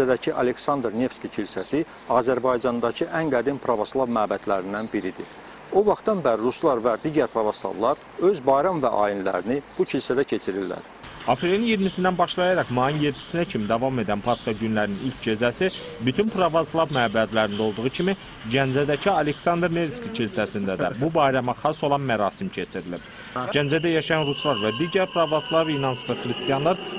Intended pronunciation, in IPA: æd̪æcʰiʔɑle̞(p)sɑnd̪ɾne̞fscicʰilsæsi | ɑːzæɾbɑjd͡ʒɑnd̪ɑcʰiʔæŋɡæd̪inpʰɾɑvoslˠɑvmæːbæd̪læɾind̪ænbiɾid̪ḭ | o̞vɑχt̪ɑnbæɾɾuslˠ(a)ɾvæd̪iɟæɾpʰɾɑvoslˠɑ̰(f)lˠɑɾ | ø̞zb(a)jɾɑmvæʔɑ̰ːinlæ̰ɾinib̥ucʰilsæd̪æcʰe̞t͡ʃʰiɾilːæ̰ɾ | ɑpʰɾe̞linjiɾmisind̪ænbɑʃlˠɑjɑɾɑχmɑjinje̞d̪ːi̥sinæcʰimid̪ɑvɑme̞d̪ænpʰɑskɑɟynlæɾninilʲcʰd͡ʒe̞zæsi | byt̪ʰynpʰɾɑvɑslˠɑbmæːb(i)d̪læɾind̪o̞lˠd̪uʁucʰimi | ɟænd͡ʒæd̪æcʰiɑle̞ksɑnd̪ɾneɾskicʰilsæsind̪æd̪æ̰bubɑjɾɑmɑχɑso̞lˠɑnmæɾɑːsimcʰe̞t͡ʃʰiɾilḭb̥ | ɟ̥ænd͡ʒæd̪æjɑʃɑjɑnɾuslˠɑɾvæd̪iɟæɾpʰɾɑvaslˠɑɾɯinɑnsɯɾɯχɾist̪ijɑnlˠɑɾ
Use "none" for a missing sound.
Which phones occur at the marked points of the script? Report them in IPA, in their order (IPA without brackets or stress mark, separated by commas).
k, ɑ, v, ɑ, æ